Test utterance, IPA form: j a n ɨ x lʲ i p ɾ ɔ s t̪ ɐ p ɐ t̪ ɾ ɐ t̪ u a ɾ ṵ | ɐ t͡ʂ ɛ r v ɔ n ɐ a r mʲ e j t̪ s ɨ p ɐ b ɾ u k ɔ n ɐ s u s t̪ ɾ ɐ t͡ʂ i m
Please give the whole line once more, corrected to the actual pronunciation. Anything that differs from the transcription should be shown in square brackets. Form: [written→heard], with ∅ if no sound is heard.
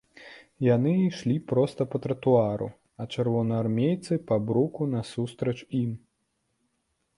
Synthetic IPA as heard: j a n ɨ [x→ʂ] lʲ i p ɾ ɔ s t̪ ɐ p ɐ t̪ ɾ ɐ t̪ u a ɾ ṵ | ɐ t͡ʂ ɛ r v ɔ n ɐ a r mʲ e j t̪ s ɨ p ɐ b ɾ u k [ɔ→u] n ɐ s u s t̪ ɾ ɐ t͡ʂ i m